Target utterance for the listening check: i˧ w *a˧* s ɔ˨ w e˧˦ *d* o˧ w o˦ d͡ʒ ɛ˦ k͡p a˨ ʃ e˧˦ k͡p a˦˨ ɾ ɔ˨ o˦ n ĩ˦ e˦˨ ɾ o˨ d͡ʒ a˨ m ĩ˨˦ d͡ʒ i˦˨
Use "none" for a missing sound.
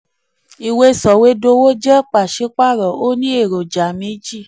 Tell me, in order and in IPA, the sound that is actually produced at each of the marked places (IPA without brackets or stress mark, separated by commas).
e˧, d